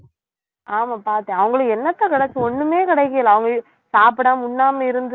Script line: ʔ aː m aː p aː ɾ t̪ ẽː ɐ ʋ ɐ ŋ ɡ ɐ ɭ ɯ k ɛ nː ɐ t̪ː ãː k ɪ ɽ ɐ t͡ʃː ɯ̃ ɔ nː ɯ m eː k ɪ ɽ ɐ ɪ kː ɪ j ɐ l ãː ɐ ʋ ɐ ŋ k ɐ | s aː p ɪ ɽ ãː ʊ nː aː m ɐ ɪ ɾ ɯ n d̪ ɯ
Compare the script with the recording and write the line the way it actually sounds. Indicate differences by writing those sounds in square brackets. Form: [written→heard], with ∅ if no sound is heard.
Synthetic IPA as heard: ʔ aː m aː p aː ɾ t̪ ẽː ɐ ʋ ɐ ŋ ɡ ɐ ɭ ɯ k ɛ nː ɐ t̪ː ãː k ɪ ɽ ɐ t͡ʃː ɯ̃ ɔ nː ɯ m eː k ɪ ɽ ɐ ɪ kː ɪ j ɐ l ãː ɐ ʋ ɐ ŋ [k→ɡ] ɐ | s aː p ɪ ɽ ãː ʊ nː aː m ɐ ɪ ɾ ɯ n d̪ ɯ